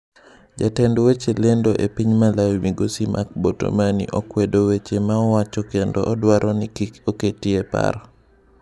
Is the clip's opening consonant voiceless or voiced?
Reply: voiced